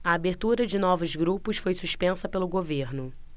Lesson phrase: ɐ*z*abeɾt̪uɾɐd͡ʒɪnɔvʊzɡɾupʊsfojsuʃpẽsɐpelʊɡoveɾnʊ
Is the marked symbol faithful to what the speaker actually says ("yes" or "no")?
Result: no